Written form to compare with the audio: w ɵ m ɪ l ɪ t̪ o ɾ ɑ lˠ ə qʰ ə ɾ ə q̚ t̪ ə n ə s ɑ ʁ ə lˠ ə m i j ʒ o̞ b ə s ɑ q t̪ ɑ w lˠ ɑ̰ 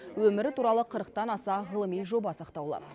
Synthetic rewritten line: w ɵ m ɪ ɾ ɪ t̪ u ɾ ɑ lˠ ə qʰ ə ɾ ə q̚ t̪ ɑ n ɑ s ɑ ʁ ə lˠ ə m i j ʒ o̞ b ɑ s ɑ q t̪ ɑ w lˠ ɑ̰